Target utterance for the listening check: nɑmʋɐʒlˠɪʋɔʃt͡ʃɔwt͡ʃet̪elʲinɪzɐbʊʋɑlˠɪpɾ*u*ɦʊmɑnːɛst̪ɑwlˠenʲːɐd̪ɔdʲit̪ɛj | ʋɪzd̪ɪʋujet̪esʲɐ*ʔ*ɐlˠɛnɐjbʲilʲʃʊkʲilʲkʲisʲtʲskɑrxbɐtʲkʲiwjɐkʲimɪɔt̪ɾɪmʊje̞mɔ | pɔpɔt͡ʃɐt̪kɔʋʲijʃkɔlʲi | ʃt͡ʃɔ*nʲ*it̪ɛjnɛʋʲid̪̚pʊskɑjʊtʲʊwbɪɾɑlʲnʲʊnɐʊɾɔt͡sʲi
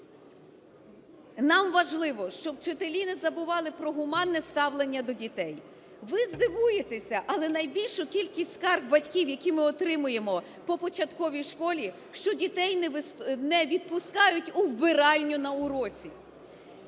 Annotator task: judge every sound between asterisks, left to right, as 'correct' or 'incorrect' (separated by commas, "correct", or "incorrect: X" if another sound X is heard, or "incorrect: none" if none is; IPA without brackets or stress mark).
incorrect: ɔ, correct, incorrect: dʲ